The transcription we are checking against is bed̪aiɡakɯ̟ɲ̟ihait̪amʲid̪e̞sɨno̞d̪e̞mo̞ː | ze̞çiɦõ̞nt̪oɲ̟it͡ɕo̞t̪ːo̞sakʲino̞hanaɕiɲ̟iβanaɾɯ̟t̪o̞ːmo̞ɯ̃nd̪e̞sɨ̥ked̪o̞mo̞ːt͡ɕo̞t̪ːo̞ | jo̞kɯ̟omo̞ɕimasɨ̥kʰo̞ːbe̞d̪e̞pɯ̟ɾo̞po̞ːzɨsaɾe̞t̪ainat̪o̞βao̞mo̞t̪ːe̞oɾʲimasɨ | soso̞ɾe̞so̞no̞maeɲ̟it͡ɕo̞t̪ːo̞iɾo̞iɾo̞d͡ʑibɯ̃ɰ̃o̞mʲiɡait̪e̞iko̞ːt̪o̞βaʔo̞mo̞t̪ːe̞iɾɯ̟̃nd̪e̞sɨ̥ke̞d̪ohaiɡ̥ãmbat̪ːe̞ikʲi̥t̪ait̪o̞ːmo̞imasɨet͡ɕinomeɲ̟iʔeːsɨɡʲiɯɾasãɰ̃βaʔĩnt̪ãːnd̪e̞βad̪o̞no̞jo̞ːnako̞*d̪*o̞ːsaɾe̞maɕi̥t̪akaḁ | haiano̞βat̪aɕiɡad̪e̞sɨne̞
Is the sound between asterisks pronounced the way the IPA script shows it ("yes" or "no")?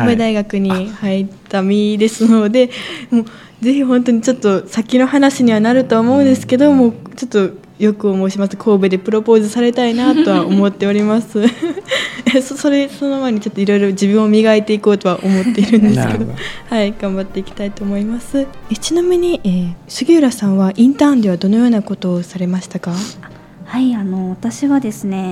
no